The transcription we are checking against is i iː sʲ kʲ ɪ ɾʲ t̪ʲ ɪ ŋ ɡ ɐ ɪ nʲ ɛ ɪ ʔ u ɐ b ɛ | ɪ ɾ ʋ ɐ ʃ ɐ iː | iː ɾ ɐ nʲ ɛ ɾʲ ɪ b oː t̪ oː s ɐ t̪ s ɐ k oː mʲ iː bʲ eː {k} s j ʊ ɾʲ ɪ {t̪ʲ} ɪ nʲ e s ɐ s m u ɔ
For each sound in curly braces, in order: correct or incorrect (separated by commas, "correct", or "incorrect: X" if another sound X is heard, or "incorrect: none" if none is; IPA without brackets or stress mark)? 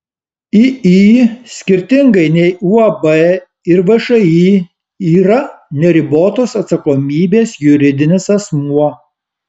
incorrect: none, incorrect: d̪ʲ